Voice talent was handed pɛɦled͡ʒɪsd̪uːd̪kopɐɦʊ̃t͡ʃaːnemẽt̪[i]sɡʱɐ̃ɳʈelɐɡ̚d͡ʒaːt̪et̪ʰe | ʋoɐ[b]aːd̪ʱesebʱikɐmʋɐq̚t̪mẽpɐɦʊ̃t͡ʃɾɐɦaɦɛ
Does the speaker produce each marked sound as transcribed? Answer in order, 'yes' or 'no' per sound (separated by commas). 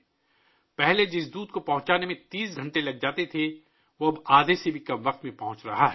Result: no, yes